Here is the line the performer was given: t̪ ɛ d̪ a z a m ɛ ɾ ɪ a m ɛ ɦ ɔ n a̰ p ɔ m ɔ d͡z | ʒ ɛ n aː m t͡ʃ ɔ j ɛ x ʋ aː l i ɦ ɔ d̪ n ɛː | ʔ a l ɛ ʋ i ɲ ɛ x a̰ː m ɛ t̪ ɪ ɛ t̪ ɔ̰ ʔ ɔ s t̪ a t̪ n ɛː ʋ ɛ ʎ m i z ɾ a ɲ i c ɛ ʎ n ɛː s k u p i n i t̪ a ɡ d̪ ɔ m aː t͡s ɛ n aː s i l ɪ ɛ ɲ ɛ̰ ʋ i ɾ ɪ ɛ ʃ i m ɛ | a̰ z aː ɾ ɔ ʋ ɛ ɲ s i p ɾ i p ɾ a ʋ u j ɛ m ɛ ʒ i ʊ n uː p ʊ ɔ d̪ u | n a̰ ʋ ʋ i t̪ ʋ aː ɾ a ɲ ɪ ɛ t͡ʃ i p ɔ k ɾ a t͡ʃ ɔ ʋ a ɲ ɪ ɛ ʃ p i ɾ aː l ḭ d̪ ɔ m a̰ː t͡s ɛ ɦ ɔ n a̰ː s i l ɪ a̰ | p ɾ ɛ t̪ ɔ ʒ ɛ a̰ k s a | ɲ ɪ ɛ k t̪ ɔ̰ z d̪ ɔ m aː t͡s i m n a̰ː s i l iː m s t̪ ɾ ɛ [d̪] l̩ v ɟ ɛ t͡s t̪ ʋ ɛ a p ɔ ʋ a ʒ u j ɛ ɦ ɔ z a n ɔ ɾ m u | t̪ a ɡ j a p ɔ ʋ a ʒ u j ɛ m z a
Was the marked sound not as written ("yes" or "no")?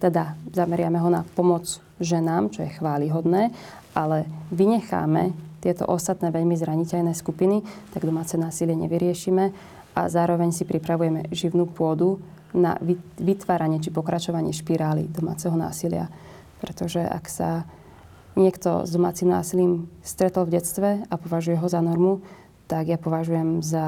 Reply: yes